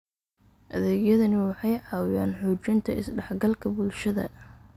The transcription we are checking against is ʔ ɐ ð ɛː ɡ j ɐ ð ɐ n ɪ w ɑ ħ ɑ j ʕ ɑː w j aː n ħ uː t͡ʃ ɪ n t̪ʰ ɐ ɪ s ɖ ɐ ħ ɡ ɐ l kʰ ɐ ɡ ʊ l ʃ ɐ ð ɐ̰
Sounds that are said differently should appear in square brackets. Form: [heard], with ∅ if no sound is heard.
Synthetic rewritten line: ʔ ɐ ð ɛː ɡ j ɐ ð ɐ n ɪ w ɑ ħ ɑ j ʕ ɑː w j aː n ħ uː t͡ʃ ɪ n t̪ʰ ɐ ɪ s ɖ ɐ ħ ɡ ɐ l kʰ ɐ [b] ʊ l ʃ ɐ ð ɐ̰